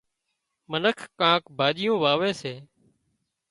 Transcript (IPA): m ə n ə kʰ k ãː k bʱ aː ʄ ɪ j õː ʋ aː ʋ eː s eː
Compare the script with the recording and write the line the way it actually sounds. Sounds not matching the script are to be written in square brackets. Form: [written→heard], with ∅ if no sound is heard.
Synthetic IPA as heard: m ə n ə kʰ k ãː k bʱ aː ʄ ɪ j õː ʋ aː ʋ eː s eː